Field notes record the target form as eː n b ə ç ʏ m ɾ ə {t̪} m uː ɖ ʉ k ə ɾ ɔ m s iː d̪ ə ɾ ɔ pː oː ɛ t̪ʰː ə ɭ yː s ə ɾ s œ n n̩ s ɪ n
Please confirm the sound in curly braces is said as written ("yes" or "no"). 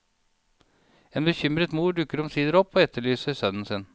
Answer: yes